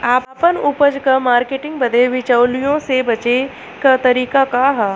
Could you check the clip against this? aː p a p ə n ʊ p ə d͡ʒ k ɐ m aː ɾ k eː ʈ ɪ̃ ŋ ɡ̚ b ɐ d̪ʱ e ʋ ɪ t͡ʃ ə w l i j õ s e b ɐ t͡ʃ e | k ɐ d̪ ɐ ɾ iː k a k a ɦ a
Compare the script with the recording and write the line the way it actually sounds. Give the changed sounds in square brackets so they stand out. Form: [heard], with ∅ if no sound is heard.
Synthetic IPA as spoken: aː p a p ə n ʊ p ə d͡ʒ k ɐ m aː ɾ k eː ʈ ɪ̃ ŋ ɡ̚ b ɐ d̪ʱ e ʋ ɪ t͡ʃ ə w l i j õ s e b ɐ t͡ʃ e | k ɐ [t̪] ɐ ɾ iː k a k a ɦ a